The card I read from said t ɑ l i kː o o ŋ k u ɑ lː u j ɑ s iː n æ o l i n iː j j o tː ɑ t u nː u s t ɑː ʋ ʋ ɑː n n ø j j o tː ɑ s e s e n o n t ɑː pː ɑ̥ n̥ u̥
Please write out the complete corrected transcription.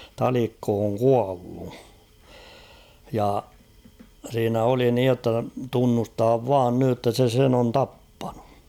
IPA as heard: t ɑ l i kː o o ŋ k u ɑ lː u j ɑ s iː n æ o l i n iː j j o tː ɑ t u nː u s t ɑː ʋ ʋ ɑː n n y j j o tː ɑ s e s e n o n t ɑ pː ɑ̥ n̥ u̥